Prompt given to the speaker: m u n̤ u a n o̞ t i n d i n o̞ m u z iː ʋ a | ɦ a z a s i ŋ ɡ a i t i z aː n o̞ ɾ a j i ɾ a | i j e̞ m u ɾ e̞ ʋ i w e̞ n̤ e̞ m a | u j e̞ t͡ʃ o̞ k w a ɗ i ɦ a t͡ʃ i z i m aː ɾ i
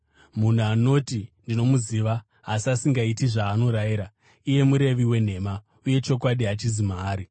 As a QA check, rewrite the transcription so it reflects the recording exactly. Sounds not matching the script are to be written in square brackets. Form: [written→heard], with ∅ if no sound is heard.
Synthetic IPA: m u n̤ u a n o̞ t i n d i n o̞ m u z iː ʋ a | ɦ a [z→s] a s i ŋ ɡ a i t i [z→ʐ] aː n o̞ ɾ a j i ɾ a | i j e̞ m u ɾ e̞ ʋ i w e̞ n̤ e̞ m a | u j e̞ t͡ʃ o̞ k w a ɗ i ɦ a t͡ʃ i z i m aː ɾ i